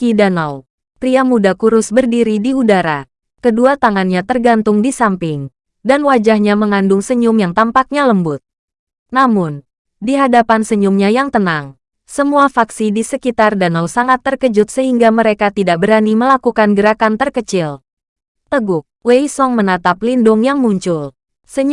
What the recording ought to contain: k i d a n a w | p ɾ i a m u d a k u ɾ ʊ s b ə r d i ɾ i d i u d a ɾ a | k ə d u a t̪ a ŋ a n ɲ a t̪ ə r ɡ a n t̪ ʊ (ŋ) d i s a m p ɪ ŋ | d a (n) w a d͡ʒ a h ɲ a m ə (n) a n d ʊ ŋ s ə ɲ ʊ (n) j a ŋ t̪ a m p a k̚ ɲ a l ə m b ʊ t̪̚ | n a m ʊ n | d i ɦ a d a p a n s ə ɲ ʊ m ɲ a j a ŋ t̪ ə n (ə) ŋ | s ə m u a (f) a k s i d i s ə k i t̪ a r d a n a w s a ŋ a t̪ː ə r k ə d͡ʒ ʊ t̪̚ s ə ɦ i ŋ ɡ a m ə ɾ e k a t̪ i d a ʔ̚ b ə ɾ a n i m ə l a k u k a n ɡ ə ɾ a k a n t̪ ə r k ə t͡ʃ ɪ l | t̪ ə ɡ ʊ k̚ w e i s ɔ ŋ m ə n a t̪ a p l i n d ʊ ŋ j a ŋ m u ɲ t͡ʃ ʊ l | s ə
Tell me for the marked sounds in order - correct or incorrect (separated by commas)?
correct, correct, incorrect, incorrect, incorrect, correct